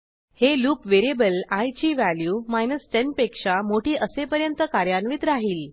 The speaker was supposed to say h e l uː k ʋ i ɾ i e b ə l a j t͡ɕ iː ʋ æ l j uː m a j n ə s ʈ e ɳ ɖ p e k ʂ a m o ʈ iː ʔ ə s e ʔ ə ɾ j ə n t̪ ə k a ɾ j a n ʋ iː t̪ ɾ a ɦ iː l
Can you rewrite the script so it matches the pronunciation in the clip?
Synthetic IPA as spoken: h e l uː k ʋ e ɾ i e b ə l a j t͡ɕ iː ʋ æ l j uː m a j n ə s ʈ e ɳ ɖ p e k ʂ a m o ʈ iː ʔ ə s e p ə ɾ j ə n t̪ ə k a ɾ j a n ʋ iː t̪ ɾ a ɦ iː l